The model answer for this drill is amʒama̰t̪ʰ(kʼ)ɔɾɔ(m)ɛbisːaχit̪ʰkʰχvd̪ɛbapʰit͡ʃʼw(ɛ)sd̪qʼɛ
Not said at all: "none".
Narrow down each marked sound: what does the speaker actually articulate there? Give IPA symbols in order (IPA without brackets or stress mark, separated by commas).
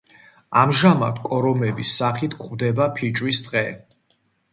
kʼ, m, i